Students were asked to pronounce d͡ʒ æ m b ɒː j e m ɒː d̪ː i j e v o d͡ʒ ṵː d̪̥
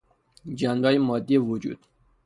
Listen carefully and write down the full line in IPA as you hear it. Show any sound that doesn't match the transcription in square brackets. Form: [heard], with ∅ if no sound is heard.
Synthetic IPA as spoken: d͡ʒ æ [n] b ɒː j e m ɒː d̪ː i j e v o d͡ʒ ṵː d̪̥